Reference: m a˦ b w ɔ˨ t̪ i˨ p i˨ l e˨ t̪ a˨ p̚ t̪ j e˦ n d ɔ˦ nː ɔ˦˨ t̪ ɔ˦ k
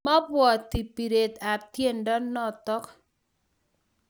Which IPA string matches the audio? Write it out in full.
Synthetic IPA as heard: m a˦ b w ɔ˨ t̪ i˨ p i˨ ɾ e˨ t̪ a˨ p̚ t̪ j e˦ n d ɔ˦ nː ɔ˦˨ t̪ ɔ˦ k